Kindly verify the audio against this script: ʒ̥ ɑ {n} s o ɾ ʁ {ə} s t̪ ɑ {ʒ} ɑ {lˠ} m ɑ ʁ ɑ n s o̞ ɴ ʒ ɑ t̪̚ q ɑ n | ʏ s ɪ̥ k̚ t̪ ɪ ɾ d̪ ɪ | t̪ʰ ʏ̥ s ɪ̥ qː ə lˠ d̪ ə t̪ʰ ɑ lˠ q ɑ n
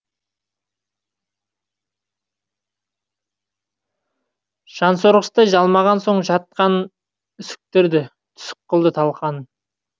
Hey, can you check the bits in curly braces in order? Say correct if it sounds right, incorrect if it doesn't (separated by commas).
correct, correct, correct, correct